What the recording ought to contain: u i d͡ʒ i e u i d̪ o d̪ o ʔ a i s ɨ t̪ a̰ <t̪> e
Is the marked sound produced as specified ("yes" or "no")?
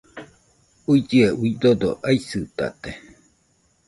yes